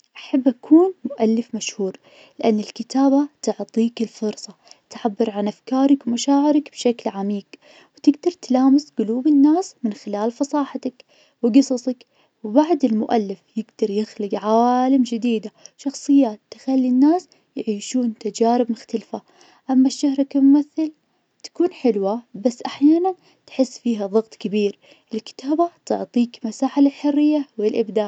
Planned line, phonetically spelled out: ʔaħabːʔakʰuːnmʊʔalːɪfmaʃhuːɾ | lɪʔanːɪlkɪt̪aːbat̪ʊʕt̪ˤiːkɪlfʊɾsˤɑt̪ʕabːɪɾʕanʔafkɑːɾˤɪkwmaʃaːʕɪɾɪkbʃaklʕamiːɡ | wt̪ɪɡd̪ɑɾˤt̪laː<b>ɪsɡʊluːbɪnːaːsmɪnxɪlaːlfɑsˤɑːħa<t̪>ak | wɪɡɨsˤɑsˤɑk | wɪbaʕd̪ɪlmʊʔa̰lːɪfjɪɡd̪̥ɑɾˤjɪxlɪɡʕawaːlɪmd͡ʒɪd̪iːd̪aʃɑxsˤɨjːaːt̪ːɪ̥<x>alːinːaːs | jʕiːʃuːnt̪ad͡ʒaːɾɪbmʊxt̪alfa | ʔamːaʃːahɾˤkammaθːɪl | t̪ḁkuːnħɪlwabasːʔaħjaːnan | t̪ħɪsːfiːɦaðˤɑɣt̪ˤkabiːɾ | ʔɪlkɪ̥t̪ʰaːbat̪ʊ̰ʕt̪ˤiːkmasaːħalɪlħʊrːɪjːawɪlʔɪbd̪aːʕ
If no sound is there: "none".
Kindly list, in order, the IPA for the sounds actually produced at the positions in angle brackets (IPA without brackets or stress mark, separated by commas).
m, t̪, x